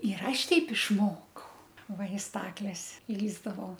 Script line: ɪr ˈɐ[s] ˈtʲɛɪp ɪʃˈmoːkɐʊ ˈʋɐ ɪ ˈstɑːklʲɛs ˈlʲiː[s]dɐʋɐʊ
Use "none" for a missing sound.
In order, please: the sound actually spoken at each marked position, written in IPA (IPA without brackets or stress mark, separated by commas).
ʃ, z